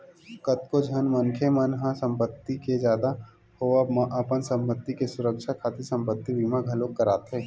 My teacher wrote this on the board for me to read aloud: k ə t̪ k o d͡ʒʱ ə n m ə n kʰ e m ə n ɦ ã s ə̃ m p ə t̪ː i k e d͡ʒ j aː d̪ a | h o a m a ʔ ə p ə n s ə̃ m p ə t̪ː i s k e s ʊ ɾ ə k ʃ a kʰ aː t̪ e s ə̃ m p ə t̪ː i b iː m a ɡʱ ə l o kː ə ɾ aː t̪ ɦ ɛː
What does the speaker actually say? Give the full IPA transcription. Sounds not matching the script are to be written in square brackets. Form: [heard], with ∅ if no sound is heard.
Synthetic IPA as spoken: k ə t̪ k o d͡ʒʱ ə n m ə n kʰ e m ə n ɦ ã s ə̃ m p ə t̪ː i k e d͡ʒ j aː d̪ a | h o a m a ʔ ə p ə n s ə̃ m p ə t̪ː i [∅] k e s ʊ ɾ ə k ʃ a kʰ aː t̪ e s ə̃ m p ə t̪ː i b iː m a ɡʱ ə l o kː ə ɾ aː t̪ ɦ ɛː

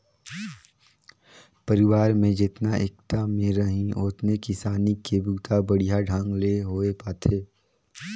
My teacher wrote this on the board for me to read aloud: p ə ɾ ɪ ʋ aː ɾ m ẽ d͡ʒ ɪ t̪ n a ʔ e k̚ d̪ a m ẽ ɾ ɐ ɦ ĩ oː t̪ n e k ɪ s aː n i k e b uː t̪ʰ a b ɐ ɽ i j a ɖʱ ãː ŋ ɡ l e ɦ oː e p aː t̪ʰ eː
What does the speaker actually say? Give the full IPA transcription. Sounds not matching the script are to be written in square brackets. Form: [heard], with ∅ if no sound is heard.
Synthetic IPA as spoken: p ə ɾ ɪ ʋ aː ɾ m ẽ d͡ʒ ɪ t̪ n a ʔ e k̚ [t̪] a m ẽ ɾ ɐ ɦ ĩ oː t̪ n e k ɪ s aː n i k e b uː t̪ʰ a b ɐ ɽ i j a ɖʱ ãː ŋ ɡ l e ɦ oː e p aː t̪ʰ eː

